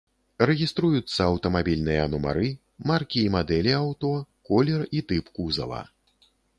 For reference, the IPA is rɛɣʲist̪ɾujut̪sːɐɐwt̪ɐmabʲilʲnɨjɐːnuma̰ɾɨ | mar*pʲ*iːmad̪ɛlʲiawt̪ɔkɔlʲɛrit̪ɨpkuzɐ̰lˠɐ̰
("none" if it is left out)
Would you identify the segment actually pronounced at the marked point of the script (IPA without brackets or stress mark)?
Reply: kʲ